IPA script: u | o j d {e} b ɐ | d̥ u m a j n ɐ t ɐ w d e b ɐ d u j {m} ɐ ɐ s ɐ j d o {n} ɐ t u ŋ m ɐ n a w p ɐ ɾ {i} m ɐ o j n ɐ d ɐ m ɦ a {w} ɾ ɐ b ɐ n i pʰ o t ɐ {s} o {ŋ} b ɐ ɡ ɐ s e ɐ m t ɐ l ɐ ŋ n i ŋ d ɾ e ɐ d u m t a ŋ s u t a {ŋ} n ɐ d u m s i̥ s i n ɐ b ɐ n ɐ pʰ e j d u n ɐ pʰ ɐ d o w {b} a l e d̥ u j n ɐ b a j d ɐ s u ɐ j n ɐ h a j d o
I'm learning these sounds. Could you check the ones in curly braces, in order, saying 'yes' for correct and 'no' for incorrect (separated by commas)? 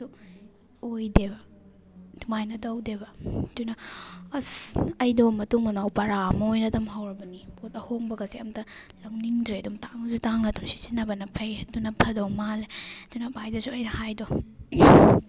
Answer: yes, no, no, no, yes, no, yes, yes, no